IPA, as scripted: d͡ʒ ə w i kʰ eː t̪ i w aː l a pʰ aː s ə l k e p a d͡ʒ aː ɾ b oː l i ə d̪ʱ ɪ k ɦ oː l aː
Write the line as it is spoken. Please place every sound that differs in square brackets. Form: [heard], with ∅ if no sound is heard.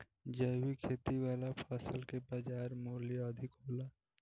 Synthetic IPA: d͡ʒ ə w i kʰ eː t̪ i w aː l a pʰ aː s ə l k e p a d͡ʒ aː ɾ [m] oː l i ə d̪ʱ ɪ k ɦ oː l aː